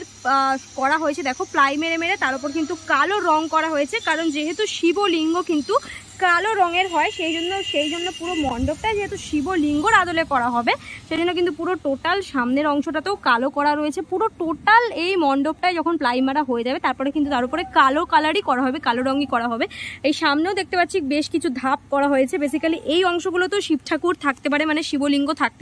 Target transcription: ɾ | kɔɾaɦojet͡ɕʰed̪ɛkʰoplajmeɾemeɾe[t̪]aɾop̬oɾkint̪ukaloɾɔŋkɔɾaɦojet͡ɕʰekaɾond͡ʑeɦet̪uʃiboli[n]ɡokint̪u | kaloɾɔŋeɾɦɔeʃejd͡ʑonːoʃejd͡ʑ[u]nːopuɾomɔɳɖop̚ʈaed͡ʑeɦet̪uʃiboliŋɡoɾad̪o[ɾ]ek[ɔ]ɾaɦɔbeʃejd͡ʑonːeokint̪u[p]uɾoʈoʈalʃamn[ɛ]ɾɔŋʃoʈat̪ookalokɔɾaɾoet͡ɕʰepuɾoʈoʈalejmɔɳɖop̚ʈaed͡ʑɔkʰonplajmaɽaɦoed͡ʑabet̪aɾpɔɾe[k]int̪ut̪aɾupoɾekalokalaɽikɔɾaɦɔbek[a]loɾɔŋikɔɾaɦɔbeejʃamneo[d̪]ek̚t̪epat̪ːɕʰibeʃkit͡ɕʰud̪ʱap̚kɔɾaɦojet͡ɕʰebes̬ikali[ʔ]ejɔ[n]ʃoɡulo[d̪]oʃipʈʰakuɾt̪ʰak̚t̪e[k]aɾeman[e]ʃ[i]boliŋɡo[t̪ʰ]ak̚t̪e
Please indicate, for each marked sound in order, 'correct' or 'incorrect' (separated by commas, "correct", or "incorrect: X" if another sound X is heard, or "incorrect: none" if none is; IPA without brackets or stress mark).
correct, incorrect: ŋ, incorrect: o, incorrect: l, correct, correct, incorrect: e, correct, correct, correct, correct, incorrect: ŋ, incorrect: t̪, incorrect: p, correct, correct, correct